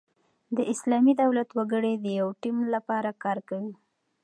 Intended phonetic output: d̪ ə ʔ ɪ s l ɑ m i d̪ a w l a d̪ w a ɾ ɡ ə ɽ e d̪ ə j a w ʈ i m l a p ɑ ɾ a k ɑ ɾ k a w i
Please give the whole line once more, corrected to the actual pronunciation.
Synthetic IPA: d̪ ə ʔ ɪ s l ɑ m i d̪ a w l a t̪ w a ɡ ə ɽ e d̪ ə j a w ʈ i m l a p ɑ ɾ a k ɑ ɾ k a w i